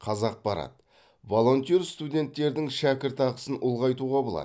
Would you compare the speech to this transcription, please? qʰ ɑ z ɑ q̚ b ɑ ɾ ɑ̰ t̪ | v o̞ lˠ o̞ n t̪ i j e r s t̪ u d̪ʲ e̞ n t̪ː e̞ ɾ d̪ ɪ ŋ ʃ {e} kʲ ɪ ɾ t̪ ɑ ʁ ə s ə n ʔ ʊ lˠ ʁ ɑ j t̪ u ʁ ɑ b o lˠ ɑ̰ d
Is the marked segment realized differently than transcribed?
yes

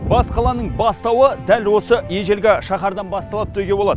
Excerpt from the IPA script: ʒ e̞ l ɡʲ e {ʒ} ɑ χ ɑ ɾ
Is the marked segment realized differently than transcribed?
yes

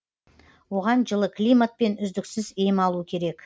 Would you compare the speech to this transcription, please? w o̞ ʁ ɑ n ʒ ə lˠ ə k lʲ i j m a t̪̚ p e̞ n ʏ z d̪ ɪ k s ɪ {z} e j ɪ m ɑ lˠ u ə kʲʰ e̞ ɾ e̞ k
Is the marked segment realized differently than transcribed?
no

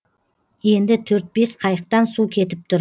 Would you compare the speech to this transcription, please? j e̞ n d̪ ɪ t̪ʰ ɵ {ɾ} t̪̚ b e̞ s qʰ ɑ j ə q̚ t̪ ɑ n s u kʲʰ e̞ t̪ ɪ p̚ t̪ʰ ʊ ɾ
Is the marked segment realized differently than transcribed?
no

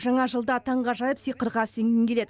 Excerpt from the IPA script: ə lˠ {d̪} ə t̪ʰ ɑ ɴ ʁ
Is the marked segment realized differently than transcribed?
no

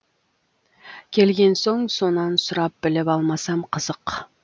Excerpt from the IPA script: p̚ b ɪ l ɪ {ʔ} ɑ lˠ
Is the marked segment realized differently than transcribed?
yes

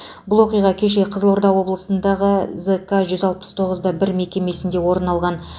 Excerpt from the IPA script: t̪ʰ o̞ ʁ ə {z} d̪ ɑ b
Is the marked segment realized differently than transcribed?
no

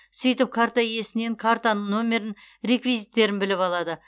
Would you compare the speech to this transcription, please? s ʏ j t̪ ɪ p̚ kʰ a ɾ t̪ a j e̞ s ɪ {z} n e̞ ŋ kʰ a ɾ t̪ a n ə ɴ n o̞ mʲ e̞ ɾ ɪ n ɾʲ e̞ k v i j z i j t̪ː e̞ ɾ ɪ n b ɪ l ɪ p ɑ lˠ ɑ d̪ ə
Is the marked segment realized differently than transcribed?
yes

